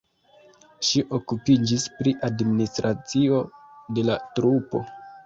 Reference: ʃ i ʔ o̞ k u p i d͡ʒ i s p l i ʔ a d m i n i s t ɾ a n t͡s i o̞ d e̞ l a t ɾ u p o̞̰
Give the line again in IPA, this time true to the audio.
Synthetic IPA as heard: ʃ i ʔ o̞ k u p i d͡ʒ i s p ɾ i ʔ a d m i n i s t ɾ a t͡s i o̞ d e̞ l a t ɾ u p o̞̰